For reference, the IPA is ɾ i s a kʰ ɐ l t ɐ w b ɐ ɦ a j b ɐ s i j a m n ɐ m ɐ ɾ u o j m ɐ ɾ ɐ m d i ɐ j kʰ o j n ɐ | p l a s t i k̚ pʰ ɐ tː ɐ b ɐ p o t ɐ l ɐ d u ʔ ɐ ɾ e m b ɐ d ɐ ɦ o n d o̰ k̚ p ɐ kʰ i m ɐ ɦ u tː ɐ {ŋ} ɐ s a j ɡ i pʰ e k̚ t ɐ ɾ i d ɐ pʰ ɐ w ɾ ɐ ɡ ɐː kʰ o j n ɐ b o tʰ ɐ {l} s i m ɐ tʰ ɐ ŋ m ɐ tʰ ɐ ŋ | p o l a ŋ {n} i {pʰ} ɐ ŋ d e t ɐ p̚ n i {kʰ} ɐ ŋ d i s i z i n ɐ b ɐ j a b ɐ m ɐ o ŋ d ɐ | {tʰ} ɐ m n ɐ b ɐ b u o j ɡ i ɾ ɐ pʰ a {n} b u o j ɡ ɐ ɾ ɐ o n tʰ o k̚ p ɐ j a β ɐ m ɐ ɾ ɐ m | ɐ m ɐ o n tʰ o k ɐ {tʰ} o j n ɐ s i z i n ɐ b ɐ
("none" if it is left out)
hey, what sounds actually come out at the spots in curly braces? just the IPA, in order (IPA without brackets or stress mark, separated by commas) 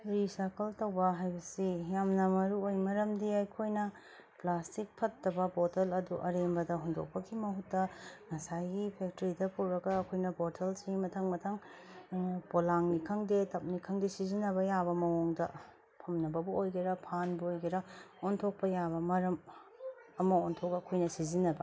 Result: ŋ, l, n, kʰ, kʰ, pʰ, n, kʰ